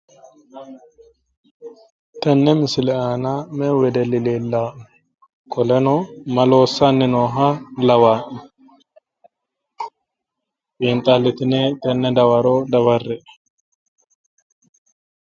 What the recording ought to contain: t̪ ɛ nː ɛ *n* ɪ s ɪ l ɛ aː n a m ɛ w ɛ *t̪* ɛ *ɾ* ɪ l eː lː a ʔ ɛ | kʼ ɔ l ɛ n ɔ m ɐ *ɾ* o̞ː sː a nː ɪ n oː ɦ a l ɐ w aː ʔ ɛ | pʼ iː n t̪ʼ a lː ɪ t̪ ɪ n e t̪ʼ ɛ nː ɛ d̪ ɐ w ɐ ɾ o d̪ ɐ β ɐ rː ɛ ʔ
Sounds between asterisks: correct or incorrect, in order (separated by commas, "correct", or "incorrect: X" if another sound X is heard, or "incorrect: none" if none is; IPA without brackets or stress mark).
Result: incorrect: m, incorrect: d̪, incorrect: l, incorrect: l